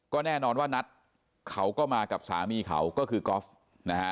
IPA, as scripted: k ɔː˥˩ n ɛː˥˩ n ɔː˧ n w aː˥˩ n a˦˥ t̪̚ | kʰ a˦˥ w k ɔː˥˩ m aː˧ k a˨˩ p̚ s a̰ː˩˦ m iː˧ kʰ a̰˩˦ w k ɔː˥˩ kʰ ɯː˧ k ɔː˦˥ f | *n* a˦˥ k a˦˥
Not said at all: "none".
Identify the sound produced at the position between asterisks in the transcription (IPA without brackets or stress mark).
n